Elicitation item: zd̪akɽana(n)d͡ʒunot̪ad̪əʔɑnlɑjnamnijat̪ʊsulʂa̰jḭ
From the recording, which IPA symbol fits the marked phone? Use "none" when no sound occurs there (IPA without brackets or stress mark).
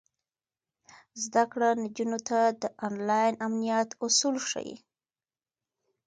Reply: none